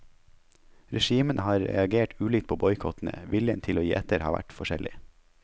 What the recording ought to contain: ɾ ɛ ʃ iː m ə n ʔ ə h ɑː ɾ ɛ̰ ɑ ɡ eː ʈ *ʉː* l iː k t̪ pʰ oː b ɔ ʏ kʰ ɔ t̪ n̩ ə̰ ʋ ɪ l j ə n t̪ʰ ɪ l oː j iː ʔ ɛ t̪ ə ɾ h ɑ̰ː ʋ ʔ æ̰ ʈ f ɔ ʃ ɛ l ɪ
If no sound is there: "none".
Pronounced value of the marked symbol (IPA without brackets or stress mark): ʉː